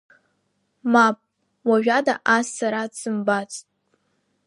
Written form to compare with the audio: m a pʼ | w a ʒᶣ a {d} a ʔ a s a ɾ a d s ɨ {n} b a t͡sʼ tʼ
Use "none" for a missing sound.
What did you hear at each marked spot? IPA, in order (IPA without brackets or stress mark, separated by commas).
d, m